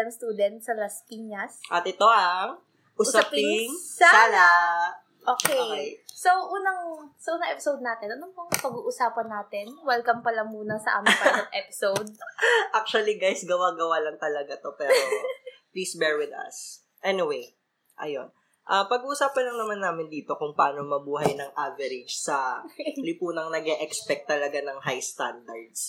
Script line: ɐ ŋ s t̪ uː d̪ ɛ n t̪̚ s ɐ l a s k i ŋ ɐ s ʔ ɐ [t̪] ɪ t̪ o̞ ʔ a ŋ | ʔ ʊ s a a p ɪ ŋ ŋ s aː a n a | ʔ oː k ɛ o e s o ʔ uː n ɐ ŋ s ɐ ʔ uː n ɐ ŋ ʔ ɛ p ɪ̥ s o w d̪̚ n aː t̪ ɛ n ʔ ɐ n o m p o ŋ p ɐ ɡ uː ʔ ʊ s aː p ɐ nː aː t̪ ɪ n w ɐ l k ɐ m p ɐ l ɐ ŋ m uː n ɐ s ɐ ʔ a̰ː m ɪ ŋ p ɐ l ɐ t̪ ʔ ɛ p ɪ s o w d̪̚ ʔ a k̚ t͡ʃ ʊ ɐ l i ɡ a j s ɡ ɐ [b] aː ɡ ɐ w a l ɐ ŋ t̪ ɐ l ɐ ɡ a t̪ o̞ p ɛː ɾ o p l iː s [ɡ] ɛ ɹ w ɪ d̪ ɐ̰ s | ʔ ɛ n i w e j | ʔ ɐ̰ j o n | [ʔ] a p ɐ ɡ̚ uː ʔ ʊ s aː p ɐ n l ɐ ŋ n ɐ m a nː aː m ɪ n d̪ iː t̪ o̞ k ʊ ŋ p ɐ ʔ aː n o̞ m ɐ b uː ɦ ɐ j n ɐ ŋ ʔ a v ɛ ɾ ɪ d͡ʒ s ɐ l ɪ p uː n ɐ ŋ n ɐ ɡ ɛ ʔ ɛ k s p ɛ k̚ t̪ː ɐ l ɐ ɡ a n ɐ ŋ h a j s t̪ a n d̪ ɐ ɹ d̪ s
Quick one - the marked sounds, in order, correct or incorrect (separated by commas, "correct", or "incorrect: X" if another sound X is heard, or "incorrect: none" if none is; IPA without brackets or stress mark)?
correct, incorrect: w, incorrect: b, correct